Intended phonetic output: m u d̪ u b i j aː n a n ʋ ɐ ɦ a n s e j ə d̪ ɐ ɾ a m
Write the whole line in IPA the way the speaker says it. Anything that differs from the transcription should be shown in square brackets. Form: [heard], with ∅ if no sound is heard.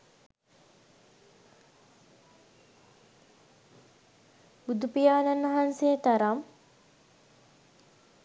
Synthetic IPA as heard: [b] u d̪ u [p] i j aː n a n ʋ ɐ ɦ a n s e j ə [t̪] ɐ ɾ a m